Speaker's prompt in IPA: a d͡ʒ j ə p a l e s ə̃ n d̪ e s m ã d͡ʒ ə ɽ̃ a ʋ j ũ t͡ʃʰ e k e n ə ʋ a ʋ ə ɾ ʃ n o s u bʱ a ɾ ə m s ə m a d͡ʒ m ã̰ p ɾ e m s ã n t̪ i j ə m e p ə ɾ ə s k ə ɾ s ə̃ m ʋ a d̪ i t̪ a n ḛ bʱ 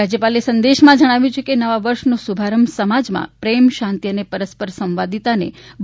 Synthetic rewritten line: a d͡ʒ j ə p a l e s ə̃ n d̪ e ʃ m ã d͡ʒ ə ɽ̃ a ʋ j ũ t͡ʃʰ e k e n ə ʋ a ʋ ə ɾ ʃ n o s u bʱ a ɾ ə m s ə m a d͡ʒ m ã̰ p ɾ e m ʃ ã n t̪ i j ə n e p ə ɾ ə s p ə ɾ s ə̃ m ʋ a d̪ i t̪ a n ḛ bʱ